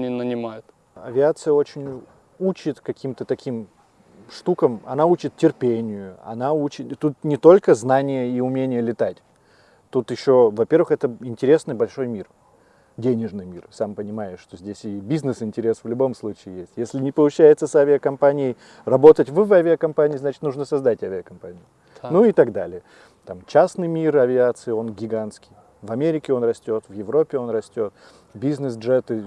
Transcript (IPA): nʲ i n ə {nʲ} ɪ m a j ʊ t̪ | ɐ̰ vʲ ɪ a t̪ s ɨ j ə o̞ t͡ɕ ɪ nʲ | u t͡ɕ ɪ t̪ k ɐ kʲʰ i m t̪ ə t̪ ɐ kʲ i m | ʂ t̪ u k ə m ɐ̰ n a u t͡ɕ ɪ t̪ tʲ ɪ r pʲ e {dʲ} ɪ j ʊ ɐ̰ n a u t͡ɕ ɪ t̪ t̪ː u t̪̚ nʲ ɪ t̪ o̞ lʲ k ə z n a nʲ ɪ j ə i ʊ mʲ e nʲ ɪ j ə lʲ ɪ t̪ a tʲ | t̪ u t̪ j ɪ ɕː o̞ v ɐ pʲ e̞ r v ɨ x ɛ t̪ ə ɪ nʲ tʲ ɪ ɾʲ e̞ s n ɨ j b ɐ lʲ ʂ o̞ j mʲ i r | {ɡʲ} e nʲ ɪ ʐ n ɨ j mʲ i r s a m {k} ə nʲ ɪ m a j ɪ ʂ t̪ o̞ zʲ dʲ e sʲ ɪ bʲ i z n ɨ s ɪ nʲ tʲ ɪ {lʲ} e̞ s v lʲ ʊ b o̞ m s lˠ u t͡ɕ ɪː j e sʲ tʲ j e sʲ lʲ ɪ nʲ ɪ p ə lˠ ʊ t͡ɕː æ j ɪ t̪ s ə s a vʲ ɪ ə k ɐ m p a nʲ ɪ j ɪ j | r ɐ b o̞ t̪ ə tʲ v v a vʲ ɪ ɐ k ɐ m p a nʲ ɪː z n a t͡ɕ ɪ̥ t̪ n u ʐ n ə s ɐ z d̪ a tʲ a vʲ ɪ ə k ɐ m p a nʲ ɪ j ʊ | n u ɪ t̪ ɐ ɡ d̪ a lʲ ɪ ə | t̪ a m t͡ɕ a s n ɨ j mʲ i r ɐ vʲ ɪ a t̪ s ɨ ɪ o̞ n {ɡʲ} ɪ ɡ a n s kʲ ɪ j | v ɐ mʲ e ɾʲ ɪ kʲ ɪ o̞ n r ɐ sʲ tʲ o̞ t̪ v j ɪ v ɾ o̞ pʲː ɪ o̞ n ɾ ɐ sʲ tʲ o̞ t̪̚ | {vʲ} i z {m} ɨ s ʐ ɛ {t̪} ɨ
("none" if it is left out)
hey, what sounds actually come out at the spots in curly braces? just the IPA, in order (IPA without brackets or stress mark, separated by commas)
nʲ, nʲ, dʲ, p, ɾʲ, ɡʲ, bʲ, n, t̪